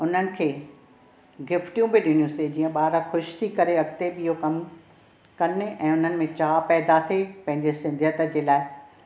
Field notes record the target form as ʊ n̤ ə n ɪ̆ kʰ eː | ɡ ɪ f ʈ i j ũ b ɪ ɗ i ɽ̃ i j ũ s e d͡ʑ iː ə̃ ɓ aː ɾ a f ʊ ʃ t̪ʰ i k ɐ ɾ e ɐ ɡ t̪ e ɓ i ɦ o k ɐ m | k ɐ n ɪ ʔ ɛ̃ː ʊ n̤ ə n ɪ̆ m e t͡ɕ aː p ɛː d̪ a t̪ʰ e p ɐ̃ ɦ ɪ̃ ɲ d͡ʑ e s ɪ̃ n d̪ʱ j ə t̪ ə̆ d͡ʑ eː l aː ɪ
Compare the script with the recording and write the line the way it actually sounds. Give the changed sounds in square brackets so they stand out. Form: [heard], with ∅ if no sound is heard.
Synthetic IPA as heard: ʊ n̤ ə n ɪ̆ kʰ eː | ɡ ɪ f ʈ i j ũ b ɪ ɗ [ɪ] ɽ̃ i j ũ s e d͡ʑ iː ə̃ ɓ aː ɾ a [x] ʊ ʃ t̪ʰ i k ɐ ɾ e ɐ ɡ t̪ e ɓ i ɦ o k ɐ m | k ɐ n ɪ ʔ ɛ̃ː ʊ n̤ ə n ɪ̆ m [ẽ] t͡ɕ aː p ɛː d̪ a t̪ʰ e p ɐ̃ ɦ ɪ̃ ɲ d͡ʑ e s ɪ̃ n d̪ʱ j ə t̪ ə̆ d͡ʑ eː l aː ɪ